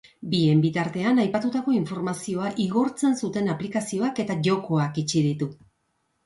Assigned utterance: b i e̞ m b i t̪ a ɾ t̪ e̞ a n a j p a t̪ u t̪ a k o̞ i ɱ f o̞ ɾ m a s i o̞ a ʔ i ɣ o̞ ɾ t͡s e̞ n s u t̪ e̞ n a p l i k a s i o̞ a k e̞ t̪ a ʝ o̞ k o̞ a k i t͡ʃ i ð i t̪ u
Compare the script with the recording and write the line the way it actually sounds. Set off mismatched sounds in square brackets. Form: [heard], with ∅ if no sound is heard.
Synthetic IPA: b i e̞ m b i t̪ a ɾ t̪ e̞ a n a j p a t̪ u t̪ a k o̞ i ɱ f o̞ ɾ m a s i o̞ a ʔ i ɣ o̞ ɾ t͡s e̞ n s u t̪ e̞ n a p l i k a s i o̞ a k e̞ t̪ a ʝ o̞ k o̞ a k i t͡ʃ i ð i t̪ u